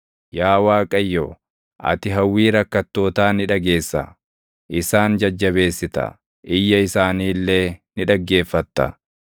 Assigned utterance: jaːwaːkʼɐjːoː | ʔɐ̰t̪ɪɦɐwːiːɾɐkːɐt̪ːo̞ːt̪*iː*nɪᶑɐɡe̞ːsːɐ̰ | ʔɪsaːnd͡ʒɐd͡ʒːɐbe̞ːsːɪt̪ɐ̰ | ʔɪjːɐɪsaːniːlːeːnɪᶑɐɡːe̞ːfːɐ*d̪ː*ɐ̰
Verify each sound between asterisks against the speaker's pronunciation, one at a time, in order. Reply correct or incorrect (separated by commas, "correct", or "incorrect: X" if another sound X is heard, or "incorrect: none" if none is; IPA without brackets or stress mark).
incorrect: aː, incorrect: t̪ː